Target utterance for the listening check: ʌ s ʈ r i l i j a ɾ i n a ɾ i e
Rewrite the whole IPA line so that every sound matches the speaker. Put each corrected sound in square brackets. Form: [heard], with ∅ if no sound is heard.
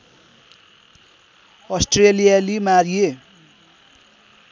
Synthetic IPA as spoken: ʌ s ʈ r [e] l i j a [l] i [m] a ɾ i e